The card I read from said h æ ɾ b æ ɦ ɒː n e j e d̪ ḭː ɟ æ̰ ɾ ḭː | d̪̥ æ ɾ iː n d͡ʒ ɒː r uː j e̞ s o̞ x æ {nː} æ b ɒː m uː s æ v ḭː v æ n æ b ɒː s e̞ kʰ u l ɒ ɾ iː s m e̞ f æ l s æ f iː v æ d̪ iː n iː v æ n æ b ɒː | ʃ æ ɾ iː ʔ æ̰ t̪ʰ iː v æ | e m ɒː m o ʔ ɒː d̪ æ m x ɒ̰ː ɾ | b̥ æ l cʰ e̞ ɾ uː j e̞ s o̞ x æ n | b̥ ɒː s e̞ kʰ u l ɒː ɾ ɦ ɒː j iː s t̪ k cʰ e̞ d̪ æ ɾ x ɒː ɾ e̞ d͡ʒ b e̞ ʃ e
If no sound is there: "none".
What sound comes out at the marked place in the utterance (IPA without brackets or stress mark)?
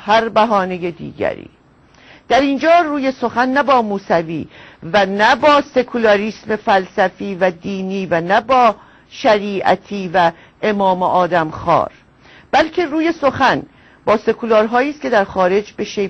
nː